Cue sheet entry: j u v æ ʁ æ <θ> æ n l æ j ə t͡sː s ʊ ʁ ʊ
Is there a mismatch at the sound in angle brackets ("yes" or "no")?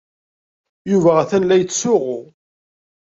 no